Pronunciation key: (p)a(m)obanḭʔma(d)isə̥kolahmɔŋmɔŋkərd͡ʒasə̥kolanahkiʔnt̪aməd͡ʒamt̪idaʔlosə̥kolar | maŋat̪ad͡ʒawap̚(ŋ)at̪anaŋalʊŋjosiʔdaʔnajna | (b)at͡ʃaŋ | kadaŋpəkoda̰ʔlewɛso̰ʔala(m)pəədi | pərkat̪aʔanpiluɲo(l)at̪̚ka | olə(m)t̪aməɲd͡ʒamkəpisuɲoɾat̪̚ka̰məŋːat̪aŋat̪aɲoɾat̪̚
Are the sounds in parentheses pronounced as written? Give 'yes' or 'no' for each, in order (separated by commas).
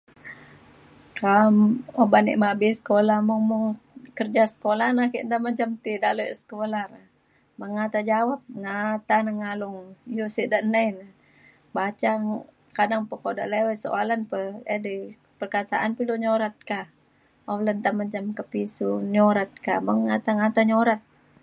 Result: no, yes, no, yes, yes, no, no, no